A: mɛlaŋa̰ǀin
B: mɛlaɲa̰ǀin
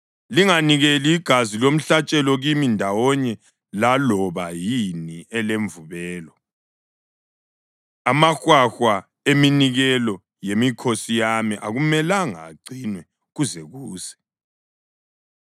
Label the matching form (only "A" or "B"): A